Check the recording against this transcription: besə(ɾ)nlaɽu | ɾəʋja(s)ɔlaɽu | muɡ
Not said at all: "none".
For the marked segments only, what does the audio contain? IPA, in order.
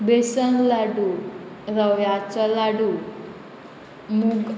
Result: none, t͡s

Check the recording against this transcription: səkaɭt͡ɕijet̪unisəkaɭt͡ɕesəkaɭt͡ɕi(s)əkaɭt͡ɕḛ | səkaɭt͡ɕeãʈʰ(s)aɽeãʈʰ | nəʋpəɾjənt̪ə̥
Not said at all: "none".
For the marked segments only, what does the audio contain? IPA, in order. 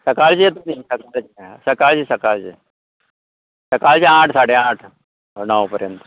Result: s, s

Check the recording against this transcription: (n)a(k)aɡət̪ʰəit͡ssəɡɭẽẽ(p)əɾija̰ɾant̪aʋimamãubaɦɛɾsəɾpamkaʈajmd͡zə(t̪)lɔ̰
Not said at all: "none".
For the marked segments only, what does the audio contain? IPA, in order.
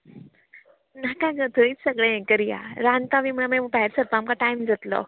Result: n, k, k, t̪

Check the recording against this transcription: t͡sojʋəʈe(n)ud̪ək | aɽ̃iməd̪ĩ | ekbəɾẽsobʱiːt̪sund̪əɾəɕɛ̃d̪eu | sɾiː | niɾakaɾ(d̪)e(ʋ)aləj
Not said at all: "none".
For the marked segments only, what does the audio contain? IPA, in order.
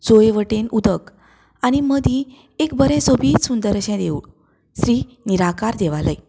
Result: n, d̪, ʋ

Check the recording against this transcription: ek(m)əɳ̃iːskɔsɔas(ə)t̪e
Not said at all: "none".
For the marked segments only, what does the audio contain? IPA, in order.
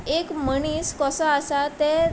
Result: m, a

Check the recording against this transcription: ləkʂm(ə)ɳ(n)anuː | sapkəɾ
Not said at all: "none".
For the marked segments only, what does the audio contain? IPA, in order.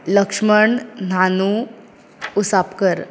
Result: ə, n

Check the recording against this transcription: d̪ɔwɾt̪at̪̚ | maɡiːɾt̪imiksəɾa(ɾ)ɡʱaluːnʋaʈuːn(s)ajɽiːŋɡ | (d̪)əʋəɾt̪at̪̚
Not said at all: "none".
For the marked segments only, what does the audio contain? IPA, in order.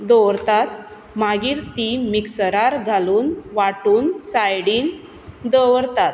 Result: ɾ, s, d̪

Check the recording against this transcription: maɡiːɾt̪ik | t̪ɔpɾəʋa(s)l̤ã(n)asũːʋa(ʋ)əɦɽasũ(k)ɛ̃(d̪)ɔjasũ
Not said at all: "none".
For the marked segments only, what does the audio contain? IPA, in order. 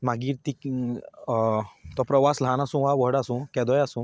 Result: s, n, ʋ, k, d̪

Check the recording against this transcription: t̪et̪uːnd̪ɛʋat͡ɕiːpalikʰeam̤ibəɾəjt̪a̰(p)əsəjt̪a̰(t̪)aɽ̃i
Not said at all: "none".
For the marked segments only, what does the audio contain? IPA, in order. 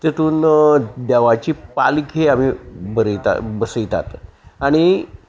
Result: b, t̪

